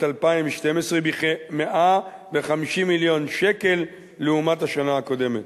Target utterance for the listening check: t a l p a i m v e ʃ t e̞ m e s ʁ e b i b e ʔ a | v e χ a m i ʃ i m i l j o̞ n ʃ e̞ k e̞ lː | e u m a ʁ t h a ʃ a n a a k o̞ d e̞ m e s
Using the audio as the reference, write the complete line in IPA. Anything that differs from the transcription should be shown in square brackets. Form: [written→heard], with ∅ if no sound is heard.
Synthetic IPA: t a l p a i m v e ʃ t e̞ m e s ʁ e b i [b→m] e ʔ a | v e χ a m i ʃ i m i l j o̞ n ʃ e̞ k e̞ lː | e u m a [ʁ→∅] t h a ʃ a n a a k o̞ d e̞ m e [s→t]